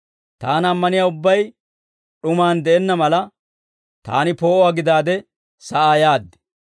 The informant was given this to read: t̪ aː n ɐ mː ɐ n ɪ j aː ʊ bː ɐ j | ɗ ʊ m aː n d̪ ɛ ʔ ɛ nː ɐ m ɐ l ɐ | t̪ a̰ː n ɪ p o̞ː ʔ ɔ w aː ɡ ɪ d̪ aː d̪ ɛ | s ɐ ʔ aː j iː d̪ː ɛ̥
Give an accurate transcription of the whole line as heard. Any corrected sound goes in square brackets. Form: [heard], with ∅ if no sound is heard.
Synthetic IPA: t̪ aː n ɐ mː ɐ n ɪ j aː ʊ bː ɐ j | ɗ ʊ m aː n d̪ ɛ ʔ ɛ nː ɐ m ɐ l ɐ | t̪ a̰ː n ɪ p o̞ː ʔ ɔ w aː ɡ ɪ d̪ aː d̪ ɛ | s ɐ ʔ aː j [aː] d̪ː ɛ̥

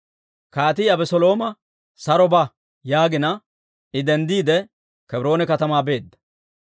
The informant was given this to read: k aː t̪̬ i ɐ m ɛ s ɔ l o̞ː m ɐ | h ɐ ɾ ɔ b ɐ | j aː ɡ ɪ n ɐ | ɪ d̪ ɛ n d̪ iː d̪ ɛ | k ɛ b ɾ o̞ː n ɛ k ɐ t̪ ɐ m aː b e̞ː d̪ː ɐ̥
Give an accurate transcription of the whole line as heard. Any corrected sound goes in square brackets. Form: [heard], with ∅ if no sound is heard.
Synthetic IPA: k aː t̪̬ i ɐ [b] ɛ s ɔ l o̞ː m ɐ | [s] ɐ ɾ ɔ b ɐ | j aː ɡ ɪ n ɐ | ɪ d̪ ɛ n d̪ iː d̪ ɛ | k ɛ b ɾ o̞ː n ɛ k ɐ t̪ ɐ m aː b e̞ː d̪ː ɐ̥

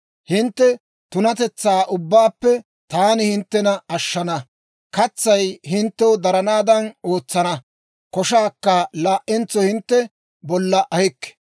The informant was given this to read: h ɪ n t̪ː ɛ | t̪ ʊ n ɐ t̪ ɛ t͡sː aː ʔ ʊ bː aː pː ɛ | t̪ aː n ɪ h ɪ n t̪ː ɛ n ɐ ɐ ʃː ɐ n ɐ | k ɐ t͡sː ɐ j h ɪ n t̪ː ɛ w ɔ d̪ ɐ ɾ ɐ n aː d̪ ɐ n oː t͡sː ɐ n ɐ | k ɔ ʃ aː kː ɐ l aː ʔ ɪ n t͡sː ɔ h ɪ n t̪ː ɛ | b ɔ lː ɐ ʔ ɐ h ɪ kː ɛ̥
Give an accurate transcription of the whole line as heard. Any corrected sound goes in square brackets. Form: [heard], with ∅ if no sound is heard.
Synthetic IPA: h ɪ n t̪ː ɛ | t̪ ʊ n ɐ t̪ ɛ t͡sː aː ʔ ʊ bː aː pː ɛ | t̪ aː n ɪ h ɪ n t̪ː ɛ n ɐ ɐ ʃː ɐ n ɐ | k ɐ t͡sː ɐ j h ɪ n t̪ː ɛ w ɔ d̪ ɐ ɾ ɐ n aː d̪ ɐ n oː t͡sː ɐ n ɐ | k ɔ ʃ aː kː ɐ l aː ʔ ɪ n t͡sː ɔ h ɪ n t̪ː ɛ | b ɔ lː ɐ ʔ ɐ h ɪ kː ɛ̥

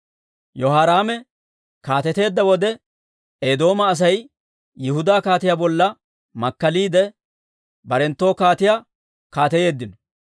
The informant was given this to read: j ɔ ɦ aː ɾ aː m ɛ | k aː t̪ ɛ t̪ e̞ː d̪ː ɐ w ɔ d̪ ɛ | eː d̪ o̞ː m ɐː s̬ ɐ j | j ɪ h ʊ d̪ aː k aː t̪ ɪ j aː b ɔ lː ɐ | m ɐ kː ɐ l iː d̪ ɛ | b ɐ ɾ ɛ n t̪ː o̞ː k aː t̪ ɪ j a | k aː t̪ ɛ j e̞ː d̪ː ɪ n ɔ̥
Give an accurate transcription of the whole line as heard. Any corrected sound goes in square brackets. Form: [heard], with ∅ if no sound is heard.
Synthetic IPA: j ɔ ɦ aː ɾ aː m ɛ | k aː t̪ ɛ t̪ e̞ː d̪ː ɐ w ɔ d̪ ɛ | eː d̪ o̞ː m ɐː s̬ ɐ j | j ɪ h ʊ d̪ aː k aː t̪ ɪ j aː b ɔ lː ɐ | m ɐ kː ɐ l iː d̪ ɛ | b ɐ ɾ ɛ n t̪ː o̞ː k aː t̪ ɪ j a | k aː t̪ ɛ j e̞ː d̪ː ɪ n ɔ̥

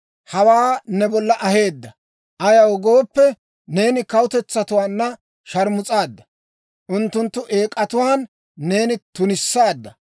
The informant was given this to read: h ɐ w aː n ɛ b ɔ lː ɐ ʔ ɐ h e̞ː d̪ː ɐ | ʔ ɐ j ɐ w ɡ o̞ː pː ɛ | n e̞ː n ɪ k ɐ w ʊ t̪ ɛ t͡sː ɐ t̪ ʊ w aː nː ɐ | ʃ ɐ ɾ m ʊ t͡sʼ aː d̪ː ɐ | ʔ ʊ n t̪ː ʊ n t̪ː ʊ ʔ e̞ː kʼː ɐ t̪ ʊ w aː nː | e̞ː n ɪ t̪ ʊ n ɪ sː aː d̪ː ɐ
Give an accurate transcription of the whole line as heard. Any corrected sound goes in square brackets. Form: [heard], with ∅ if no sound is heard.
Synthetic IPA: h ɐ w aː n ɛ b ɔ lː ɐ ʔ ɐ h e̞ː d̪ː ɐ | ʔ ɐ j ɐ w ɡ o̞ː pː ɛ | n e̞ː n ɪ k ɐ w ʊ t̪ ɛ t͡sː ɐ t̪ ʊ w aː nː ɐ | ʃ ɐ ɾ m ʊ t͡sʼ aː d̪ː ɐ | ʔ ʊ n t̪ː ʊ n t̪ː ʊ ʔ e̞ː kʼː ɐ t̪ ʊ w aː nː | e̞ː n ɪ t̪ ʊ n ɪ sː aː d̪ː ɐ

